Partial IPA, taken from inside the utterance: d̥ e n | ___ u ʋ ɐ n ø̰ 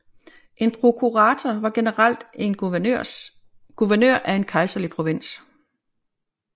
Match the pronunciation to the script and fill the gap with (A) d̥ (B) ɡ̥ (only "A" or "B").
B